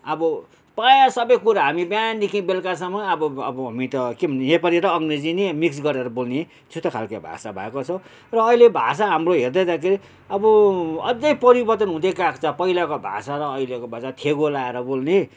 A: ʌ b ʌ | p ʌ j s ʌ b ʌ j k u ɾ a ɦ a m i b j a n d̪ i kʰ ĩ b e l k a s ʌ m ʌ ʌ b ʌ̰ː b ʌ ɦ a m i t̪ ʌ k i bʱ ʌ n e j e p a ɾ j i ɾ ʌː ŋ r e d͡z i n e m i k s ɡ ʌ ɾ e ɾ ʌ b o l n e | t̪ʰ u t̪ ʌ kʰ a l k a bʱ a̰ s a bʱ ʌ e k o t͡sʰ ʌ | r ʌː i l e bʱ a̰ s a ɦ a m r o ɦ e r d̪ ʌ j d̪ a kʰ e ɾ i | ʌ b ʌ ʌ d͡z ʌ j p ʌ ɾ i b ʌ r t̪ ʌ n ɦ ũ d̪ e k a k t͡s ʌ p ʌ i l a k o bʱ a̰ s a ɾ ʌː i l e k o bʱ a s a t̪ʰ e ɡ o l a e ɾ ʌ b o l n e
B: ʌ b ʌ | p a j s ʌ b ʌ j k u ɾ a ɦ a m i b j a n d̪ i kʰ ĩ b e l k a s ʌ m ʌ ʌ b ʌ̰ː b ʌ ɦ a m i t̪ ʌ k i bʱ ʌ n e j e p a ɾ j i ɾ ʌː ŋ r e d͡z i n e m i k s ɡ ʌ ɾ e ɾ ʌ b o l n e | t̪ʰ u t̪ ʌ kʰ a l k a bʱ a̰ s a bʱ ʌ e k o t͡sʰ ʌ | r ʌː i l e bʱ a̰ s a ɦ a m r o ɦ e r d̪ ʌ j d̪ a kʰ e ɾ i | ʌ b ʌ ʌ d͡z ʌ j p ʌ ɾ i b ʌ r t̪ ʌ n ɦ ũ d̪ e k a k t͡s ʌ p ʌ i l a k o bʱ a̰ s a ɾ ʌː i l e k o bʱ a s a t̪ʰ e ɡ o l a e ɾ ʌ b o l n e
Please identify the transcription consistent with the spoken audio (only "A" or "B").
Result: B